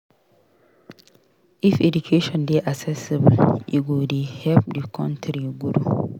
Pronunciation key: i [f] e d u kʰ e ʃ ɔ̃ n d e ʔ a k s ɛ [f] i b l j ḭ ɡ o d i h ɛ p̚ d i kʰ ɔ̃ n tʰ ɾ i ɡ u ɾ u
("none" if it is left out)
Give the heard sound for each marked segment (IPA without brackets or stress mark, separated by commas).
f, s